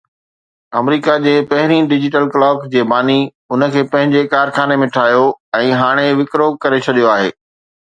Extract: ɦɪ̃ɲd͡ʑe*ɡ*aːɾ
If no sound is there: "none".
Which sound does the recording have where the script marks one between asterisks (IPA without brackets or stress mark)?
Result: k